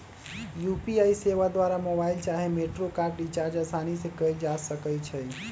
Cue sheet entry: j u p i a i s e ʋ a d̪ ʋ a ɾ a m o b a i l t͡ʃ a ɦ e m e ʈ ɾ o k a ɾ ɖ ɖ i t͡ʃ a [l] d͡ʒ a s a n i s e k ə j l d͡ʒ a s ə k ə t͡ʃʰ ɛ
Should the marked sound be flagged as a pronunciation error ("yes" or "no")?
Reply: yes